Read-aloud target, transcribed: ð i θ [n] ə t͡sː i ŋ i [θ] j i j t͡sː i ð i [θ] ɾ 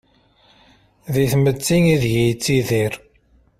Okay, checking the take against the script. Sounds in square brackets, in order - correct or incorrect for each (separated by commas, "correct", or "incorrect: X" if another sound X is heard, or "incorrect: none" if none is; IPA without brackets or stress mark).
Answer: incorrect: m, incorrect: ð, incorrect: none